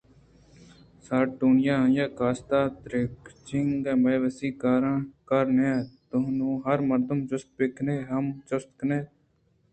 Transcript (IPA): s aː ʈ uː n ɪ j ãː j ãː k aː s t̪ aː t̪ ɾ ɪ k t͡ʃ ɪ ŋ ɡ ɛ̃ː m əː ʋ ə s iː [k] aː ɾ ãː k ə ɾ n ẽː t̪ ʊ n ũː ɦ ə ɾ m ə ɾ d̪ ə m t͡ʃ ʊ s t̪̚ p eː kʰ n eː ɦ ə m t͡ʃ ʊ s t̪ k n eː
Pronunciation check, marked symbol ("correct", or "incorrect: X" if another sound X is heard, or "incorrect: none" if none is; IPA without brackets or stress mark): correct